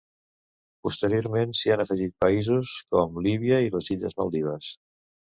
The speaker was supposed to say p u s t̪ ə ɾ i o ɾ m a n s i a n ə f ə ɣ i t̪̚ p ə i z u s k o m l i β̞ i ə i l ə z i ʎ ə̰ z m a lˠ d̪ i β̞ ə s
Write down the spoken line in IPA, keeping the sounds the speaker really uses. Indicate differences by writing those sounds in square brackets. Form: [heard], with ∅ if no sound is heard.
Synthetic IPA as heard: p u s t̪ ə ɾ i o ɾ m [e] n s i a n ə f ə [ʒ] i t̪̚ p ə i z u s k [ɔ] m l i β̞ i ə i l ə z i ʎ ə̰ z m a lˠ d̪ i β̞ ə s